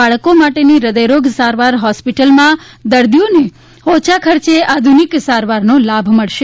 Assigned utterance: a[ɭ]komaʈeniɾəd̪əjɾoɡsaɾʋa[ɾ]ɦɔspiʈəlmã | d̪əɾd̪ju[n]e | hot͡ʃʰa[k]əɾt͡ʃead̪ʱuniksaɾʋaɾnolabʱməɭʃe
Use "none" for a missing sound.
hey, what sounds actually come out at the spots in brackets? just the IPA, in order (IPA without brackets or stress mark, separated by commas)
ɭ, ɾ, n, kʰ